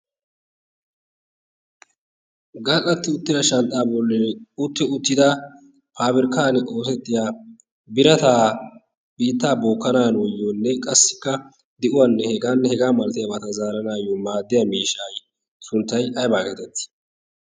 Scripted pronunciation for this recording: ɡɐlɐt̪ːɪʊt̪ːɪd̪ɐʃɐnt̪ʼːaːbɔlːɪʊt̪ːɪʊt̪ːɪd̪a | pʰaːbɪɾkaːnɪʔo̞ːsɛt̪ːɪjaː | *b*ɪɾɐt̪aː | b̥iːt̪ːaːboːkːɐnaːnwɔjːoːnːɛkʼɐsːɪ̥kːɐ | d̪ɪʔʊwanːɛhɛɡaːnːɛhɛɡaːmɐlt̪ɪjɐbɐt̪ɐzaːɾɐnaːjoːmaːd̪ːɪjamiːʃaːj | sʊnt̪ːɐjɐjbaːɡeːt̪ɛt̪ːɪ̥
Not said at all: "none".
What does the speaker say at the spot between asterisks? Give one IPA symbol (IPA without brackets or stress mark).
b